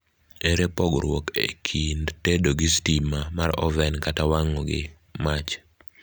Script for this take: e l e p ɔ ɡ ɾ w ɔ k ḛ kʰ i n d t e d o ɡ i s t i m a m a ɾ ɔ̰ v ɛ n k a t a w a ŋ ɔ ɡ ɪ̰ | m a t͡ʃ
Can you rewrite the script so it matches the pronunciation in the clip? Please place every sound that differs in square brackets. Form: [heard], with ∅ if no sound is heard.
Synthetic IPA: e [ɾ] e p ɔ ɡ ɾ w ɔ k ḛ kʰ i n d t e d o ɡ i s t i m a m a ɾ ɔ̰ v ɛ n k a t a w a ŋ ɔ ɡ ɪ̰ | m a t͡ʃ